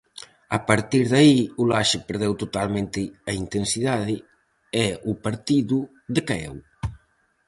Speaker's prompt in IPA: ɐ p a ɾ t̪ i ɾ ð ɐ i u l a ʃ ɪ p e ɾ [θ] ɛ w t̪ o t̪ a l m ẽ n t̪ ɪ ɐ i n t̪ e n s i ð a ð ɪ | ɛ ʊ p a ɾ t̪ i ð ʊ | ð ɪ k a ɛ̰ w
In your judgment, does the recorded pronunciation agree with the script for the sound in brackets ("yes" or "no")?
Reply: no